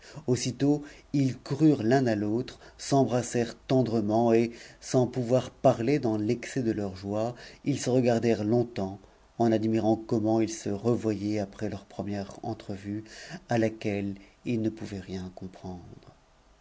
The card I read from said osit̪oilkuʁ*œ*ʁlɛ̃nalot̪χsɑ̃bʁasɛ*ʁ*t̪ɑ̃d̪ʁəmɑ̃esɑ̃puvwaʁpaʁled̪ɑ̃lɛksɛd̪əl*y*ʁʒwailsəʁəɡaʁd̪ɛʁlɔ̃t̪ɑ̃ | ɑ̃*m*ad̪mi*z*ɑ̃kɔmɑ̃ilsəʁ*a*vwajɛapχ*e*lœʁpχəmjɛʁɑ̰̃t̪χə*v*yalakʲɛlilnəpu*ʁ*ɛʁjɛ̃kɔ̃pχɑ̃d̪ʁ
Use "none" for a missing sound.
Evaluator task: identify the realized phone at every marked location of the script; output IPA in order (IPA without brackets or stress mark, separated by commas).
y, ʁ, œ, n, ʁ, ə, ɛ, v, v